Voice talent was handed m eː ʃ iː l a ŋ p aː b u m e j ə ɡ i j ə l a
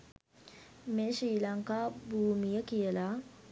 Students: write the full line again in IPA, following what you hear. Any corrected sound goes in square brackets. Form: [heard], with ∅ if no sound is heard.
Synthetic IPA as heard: m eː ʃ iː l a ŋ [k] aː b [uː] m [i] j ə [k] i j ə l a